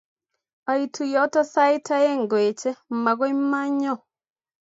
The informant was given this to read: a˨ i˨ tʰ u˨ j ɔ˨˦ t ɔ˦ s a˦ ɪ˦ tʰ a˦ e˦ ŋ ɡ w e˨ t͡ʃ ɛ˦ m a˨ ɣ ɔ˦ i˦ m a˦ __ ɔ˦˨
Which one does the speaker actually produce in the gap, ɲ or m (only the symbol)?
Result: ɲ